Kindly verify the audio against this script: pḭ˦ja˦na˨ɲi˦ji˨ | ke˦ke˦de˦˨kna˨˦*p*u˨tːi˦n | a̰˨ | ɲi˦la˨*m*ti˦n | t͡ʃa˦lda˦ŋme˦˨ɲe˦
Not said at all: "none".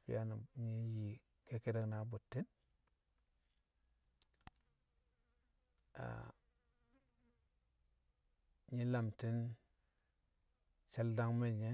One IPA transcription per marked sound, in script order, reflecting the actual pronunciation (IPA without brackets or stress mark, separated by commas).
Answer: b, m